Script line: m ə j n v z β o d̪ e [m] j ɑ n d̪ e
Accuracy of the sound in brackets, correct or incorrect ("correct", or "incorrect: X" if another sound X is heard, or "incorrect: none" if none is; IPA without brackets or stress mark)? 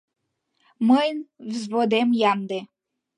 correct